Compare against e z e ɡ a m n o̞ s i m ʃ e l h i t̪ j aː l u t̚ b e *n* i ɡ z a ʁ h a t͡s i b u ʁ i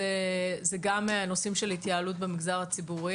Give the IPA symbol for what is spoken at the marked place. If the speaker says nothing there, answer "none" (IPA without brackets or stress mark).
m